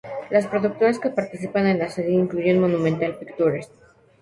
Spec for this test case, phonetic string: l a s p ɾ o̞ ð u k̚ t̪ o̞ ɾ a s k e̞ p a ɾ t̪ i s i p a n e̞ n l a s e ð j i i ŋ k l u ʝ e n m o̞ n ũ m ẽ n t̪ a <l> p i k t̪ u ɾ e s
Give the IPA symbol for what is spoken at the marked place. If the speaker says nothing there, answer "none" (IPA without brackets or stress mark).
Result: l